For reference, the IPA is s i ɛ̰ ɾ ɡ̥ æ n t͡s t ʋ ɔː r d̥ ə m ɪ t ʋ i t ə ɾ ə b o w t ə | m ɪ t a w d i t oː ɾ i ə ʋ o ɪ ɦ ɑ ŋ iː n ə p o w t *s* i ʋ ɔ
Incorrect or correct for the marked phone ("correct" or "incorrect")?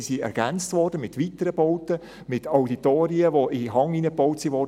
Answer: correct